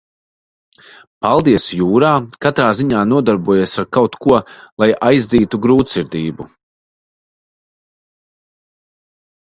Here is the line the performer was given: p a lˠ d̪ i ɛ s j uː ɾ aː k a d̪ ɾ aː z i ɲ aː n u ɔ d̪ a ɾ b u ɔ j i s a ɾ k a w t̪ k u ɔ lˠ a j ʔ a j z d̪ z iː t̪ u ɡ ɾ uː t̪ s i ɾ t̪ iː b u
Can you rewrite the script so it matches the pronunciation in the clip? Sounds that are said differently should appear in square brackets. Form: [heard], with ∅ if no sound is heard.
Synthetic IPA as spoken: p a lˠ d̪ i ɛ s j uː ɾ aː k a [t̪] ɾ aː z i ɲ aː n u ɔ d̪ a ɾ b u ɔ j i s a ɾ k a w t̪ k u ɔ lˠ a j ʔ a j z d̪ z iː t̪ u ɡ ɾ uː t̪ s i ɾ [d̪] iː b u